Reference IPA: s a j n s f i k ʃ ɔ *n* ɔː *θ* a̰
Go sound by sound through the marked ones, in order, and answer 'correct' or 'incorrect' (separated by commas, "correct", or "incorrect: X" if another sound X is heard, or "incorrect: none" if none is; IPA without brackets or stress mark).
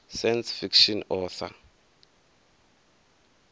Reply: correct, correct